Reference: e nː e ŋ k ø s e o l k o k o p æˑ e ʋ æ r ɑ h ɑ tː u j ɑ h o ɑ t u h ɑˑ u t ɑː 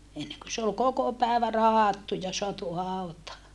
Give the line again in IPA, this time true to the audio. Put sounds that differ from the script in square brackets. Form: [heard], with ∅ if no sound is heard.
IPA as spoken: e nː e ŋ k ø s e o l k o k o p æˑ e ʋ æ r ɑ h ɑ tː u j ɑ [s] o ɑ t u h ɑˑ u t ɑː